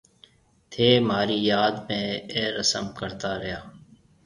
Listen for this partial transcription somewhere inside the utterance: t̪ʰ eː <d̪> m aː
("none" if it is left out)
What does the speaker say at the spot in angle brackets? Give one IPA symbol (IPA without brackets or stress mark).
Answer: none